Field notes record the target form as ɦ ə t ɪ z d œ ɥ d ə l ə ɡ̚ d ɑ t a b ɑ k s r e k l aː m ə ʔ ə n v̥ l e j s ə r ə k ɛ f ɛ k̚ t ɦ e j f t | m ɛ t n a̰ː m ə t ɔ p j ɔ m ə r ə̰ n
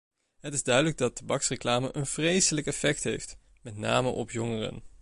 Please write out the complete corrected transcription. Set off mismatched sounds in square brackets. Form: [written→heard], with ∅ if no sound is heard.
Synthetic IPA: ɦ ə t ɪ z d œ ɥ d ə l ə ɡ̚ d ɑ t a b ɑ k s r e k l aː m ə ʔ ə n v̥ [l→r] e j s ə [r→l] ə k ɛ f ɛ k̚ t ɦ e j f t | m ɛ t n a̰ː m ə [t→ʔ] ɔ p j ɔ [m→ŋ] ə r ə̰ n

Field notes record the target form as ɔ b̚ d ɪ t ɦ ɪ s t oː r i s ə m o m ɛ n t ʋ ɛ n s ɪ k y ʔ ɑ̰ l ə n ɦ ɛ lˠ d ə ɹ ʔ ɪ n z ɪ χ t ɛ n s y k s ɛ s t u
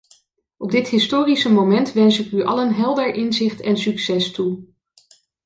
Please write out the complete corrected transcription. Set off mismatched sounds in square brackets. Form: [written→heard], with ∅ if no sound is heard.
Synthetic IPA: ɔ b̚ d ɪ t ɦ ɪ s t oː r i s ə m o m ɛ n t ʋ ɛ n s ɪ k y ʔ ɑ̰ l ə n ɦ ɛ lˠ d ə ɹ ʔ ɪ n z ɪ χ t ɛ n s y k s ɛ s t u

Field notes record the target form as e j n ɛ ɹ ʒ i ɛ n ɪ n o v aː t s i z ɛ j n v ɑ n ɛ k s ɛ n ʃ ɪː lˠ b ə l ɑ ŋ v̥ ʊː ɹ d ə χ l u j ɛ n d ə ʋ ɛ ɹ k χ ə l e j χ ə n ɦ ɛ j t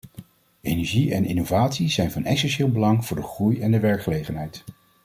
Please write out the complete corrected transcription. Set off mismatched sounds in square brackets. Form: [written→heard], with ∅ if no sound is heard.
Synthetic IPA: e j n ɛ ɹ ʒ i ɛ n ɪ n o v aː t s i z ɛ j n v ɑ n ɛ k s ɛ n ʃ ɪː lˠ b ə l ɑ ŋ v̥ ʊː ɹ d ə χ [l→r] u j ɛ n d ə ʋ ɛ ɹ k χ ə l e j χ ə n ɦ ɛ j t

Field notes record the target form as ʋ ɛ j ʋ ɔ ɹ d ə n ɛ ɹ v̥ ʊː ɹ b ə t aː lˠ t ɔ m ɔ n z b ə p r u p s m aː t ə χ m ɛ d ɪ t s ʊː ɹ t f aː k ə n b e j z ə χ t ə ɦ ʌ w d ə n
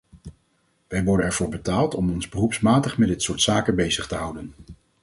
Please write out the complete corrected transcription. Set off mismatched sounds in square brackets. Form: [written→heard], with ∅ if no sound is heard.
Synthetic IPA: ʋ ɛ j ʋ ɔ ɹ d ə n ɛ ɹ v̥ ʊː ɹ b ə t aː lˠ t ɔ m ɔ n z b ə [p→∅] r u p s m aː t ə χ m ɛ d ɪ t s ʊː ɹ t [f→s] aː k ə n b e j z ə χ t ə ɦ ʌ w d ə n

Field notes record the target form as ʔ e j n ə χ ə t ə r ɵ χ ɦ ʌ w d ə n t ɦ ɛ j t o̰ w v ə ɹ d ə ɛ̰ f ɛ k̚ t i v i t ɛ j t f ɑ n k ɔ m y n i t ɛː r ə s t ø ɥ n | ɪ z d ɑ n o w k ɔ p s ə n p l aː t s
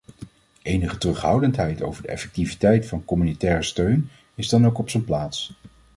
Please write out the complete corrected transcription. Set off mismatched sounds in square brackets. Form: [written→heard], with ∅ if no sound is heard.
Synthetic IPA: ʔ e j n ə χ ə t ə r ɵ χ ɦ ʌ w d ə n t ɦ ɛ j t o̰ w v ə ɹ d ə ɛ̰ f ɛ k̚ t i v i t ɛ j t f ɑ n k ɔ m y n i t ɛː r ə s t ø ɥ n | ɪ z d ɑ n o w k ɔ p s ə n p l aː t s

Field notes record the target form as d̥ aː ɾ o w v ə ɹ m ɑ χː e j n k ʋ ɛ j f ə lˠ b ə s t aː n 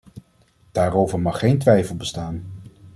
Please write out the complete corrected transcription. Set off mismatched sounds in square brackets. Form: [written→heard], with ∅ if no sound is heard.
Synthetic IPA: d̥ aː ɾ o w v ə ɹ m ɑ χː e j n [k→t] ʋ ɛ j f ə lˠ b ə s t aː n

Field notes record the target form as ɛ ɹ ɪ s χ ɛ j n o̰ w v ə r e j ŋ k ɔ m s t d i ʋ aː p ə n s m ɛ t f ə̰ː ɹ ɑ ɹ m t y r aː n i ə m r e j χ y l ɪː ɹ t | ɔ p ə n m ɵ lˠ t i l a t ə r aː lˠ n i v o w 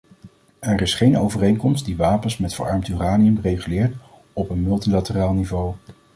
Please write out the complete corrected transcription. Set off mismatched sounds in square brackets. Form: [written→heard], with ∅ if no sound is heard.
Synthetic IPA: ɛ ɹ ɪ s χ [ɛ→e] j n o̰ w v ə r e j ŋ k ɔ m s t d i ʋ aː p ə n s m ɛ t f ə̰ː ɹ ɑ ɹ m t y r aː n i ə m r e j χ y l ɪː ɹ t | ɔ p ə n m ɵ lˠ t i l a t ə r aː lˠ n i v o w

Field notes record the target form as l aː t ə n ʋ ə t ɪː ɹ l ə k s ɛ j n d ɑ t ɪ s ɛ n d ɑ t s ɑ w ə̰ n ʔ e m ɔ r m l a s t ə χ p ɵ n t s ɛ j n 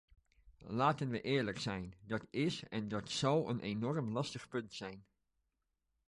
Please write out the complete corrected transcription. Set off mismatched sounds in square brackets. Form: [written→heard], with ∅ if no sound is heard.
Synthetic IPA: l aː t ə n ʋ ə [t→ʔ] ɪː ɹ l ə k s ɛ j n d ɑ t ɪ s ɛ n d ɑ t s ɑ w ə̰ n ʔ e [m→n] ɔ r m l [a→ɑ] s t ə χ p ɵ n t s ɛ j n

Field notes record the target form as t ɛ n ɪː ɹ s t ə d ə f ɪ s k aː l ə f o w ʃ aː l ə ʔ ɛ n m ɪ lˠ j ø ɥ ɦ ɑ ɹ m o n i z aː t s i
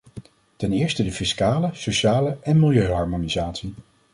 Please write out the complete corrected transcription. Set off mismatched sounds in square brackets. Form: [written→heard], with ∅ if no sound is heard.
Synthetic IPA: t ɛ n ɪː ɹ s t ə d ə f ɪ s k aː l ə [f→s] o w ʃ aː l ə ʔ ɛ n m ɪ lˠ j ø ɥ ɦ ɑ ɹ m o n i z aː t s i

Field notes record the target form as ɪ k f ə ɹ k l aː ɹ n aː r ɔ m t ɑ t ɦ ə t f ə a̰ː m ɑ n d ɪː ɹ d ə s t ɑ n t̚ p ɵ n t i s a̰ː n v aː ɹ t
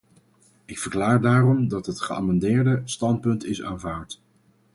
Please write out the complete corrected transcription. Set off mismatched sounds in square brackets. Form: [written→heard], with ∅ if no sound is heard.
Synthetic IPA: ɪ k f ə ɹ k l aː ɹ [n→d] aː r ɔ m [t→d] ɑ t ɦ ə t [f→χ] ə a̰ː m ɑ n d ɪː ɹ d ə s t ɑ n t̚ p ɵ n t [i→ɪ] s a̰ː n v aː ɹ t

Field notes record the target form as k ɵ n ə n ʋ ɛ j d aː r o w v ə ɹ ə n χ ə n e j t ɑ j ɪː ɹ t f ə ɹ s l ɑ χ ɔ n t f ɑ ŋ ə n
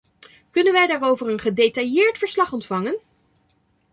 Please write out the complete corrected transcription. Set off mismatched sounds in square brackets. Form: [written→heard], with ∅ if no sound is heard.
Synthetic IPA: k ɵ n ə n ʋ ɛ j d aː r o w v ə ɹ ə n χ ə [n→d] e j t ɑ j ɪː ɹ t f ə ɹ s l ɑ χ ɔ n t f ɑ ŋ ə n

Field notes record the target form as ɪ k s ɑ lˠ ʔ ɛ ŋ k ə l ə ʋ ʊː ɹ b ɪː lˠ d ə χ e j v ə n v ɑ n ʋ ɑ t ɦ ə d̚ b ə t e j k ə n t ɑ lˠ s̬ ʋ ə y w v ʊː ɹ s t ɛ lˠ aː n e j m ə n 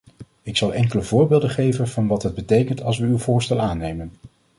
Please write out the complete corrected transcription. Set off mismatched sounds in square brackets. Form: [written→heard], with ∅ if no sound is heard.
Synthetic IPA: ɪ k s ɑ lˠ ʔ ɛ ŋ k ə l ə [ʋ→v] ʊː ɹ b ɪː lˠ d ə χ e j v ə n v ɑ n ʋ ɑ t ɦ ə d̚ b ə t e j k ə n t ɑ lˠ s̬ ʋ ə y w v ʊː ɹ s t ɛ lˠ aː n e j m ə n

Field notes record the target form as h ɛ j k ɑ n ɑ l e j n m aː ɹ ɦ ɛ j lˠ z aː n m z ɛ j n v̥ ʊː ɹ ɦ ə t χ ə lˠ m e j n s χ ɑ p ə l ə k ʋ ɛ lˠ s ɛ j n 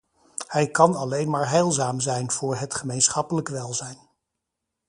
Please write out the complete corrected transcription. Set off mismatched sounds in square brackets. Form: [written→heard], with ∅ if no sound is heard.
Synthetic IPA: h ɛ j k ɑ n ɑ l e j n m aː ɹ ɦ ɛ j lˠ z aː [n→∅] m z ɛ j n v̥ ʊː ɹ ɦ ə t χ ə [lˠ→∅] m e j n s χ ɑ p ə l ə k ʋ ɛ lˠ [s→z] ɛ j n

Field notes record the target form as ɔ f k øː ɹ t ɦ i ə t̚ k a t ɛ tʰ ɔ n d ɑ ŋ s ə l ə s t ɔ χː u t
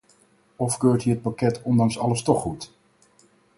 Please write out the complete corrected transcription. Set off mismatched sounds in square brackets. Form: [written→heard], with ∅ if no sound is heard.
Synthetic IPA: ɔ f k øː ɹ t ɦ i ə t̚ [k→p] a [t→k] ɛ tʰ ɔ n d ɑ ŋ s [ə→ɑ] l ə s t ɔ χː u t

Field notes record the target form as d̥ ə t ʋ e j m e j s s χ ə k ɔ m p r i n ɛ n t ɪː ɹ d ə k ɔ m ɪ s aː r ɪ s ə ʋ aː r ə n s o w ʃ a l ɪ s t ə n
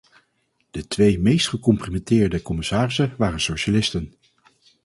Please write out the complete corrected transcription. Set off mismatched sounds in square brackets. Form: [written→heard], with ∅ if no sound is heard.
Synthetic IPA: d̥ ə t ʋ e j m e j s [s→t] χ ə k ɔ m p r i [n→m] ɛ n t ɪː ɹ d ə k ɔ m ɪ s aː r ɪ s ə ʋ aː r ə n s o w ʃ a l ɪ s t ə n

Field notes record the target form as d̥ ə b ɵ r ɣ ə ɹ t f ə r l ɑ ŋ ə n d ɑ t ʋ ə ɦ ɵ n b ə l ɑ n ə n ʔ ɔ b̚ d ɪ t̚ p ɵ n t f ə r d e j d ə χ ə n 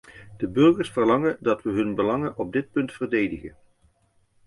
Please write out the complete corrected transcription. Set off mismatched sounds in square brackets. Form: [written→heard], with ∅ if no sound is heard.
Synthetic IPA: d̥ ə b ɵ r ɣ ə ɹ [t→s] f ə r l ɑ ŋ ə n d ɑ t ʋ ə ɦ ɵ n b ə l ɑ [n→ŋ] ə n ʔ ɔ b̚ d ɪ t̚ p ɵ n t f ə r d e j d ə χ ə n

